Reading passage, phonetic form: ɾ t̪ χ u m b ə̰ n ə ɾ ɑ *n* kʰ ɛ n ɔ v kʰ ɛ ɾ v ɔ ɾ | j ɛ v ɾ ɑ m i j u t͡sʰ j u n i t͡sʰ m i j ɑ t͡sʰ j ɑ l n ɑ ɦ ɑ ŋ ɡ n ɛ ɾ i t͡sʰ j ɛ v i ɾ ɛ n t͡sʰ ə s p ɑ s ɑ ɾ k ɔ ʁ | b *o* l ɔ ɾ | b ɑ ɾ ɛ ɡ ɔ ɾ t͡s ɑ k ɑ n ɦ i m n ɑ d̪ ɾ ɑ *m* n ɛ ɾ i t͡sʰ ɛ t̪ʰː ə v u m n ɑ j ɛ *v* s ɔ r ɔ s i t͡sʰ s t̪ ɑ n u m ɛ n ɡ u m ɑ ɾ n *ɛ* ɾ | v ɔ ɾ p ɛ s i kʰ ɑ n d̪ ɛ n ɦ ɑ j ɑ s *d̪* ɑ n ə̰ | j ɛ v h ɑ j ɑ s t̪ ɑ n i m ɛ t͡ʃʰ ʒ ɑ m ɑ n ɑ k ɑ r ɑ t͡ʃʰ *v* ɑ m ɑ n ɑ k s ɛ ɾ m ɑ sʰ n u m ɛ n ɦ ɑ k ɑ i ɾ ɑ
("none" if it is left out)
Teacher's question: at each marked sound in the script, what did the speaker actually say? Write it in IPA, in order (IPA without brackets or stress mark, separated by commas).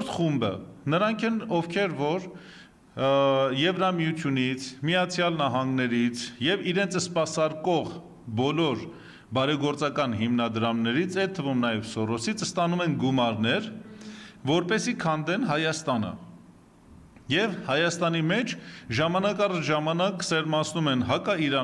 ŋ, ɔ, m, v, ɛ, t̪, ʒ